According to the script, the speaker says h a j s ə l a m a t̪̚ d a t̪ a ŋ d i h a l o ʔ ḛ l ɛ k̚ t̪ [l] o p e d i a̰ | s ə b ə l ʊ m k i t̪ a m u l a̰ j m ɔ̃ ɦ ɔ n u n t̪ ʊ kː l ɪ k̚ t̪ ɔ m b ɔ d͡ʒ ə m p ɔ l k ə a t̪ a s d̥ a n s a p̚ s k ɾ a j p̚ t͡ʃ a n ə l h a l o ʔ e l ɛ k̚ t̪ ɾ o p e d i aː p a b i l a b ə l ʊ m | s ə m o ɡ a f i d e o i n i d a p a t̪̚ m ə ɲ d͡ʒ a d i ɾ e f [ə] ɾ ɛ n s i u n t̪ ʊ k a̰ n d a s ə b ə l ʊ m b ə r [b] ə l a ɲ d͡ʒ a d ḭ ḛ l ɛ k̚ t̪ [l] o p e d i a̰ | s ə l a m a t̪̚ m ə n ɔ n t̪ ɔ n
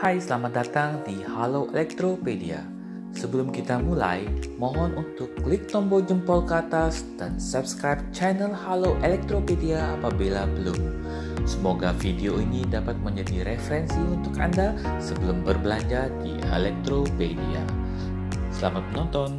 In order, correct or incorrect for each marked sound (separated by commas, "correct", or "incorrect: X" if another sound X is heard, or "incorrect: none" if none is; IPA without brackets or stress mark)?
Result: incorrect: ɾ, correct, correct, incorrect: ɾ